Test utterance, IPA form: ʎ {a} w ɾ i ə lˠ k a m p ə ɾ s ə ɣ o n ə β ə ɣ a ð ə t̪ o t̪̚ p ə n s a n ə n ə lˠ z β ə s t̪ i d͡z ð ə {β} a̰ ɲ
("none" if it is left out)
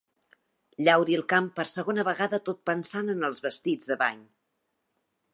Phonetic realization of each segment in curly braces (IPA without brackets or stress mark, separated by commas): a, β